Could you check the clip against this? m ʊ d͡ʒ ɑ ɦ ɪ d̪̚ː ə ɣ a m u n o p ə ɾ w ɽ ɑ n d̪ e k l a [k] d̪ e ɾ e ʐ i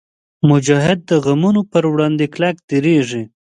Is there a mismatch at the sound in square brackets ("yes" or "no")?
no